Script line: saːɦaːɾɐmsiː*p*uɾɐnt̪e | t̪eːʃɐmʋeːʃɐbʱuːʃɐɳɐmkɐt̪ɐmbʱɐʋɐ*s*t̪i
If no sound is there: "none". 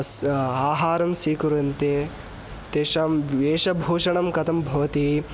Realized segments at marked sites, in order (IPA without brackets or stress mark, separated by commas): k, none